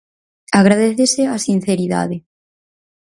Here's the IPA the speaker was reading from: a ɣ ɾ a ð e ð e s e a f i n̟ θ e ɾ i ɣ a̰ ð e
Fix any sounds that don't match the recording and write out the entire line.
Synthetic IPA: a ɣ ɾ a ð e θ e s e a s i n̟ θ e ɾ i ð a̰ ð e